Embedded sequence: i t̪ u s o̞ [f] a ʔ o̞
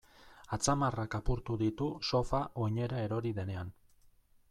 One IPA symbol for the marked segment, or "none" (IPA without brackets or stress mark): f